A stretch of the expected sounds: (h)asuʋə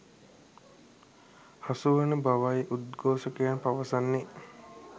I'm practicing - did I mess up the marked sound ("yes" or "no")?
no